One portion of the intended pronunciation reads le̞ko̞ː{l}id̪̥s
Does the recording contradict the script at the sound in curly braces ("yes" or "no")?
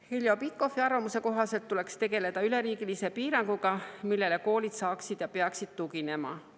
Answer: no